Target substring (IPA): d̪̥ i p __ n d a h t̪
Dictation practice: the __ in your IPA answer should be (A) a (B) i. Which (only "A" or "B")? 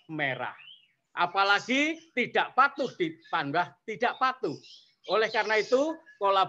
A